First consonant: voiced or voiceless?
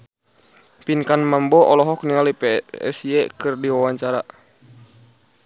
voiceless